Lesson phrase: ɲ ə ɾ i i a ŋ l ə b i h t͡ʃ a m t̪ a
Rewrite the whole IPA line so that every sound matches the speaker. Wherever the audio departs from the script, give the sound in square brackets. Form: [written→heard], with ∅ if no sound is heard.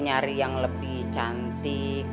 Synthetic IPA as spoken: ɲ [ə→a] ɾ i [i→j] a ŋ l ə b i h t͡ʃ a [m→n] t̪ [a→i]